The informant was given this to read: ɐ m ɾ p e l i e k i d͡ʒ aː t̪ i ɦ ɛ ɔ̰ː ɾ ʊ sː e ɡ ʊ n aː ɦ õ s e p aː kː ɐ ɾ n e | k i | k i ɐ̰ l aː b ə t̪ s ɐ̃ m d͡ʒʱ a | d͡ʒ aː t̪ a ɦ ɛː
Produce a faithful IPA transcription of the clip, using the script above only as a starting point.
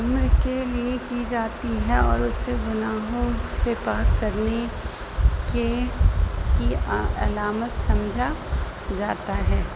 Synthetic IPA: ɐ m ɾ k e l i e k i d͡ʒ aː t̪ i ɦ ɛ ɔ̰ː ɾ ʊ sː e ɡ ʊ n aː ɦ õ s e p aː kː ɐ ɾ n e | k e | k i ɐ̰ l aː m ə t̪ s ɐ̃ m d͡ʒʱ a | d͡ʒ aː t̪ a ɦ ɛː